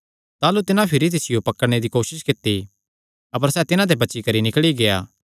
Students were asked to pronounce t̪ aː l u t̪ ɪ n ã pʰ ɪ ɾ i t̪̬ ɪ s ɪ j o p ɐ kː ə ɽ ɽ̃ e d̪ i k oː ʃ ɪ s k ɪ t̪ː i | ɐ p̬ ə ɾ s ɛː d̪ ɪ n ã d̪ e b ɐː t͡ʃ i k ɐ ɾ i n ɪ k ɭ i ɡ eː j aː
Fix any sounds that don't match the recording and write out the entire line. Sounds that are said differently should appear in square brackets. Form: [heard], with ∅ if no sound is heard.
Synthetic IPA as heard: t̪ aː l u t̪ ɪ n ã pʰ ɪ ɾ i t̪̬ ɪ s ɪ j o p ɐ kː ə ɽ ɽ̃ e d̪ i k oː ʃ ɪ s k ɪ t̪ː i | ɐ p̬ ə ɾ s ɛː [t̪] ɪ n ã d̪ e b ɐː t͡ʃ i k ɐ ɾ i n ɪ k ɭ i ɡ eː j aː